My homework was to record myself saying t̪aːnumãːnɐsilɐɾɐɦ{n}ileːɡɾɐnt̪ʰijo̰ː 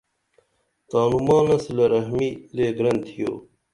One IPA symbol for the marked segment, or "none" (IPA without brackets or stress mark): m